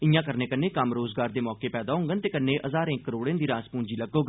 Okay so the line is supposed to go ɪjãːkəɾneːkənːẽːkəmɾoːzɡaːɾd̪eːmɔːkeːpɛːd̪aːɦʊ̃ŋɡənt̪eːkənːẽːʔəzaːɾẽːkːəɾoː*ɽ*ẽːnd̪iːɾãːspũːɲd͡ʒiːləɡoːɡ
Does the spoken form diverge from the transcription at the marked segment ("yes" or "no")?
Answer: no